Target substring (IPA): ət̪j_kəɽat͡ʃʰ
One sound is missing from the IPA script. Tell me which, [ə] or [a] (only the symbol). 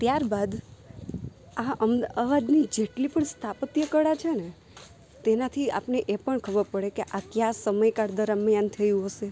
ə